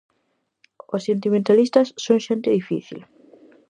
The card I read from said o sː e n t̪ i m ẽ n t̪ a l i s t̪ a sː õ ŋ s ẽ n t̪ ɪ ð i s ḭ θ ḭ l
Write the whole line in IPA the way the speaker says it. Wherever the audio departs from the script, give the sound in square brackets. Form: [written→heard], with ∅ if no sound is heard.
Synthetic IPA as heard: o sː e n t̪ i m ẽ n t̪ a l i s t̪ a sː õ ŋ [s→ʃ] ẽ n t̪ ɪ ð i [s→f] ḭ θ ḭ l